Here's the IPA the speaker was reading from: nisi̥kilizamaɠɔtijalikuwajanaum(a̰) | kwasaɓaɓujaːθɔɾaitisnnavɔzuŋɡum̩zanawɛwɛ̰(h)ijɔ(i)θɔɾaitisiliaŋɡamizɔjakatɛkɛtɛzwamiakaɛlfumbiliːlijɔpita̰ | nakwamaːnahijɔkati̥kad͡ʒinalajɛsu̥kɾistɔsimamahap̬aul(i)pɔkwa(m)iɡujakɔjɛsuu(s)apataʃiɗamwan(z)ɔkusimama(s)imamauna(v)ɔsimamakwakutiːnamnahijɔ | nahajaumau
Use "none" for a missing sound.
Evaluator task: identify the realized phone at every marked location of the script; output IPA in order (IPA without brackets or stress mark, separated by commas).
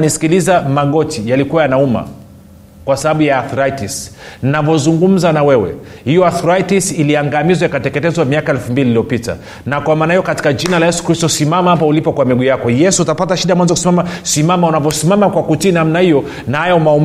a̰, h, a, i, m, t, z, s, v